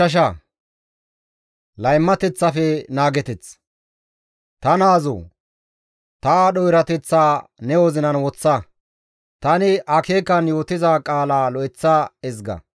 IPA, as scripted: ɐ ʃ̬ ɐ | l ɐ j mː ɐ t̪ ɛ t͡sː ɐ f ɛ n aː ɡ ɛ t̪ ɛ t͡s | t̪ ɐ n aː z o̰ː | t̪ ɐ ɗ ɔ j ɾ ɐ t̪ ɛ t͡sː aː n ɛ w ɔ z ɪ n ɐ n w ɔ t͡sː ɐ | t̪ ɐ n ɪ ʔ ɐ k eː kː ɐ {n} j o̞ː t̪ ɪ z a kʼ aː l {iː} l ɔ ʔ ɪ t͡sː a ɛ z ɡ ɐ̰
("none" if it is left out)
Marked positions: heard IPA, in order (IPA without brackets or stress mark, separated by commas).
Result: n, aː